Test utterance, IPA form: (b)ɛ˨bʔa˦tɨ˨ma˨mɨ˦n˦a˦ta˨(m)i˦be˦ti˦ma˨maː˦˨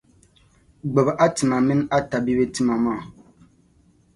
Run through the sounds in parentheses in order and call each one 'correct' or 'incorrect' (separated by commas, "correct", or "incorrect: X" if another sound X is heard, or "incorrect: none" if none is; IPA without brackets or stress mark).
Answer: incorrect: ɡ͡b, incorrect: b